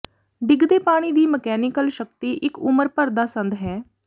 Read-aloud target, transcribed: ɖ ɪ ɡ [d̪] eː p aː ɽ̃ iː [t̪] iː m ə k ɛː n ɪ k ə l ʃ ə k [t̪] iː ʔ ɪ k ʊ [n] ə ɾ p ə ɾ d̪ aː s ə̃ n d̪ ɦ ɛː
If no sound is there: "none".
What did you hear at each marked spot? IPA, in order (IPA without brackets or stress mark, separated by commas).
d̪, d̪, t̪, m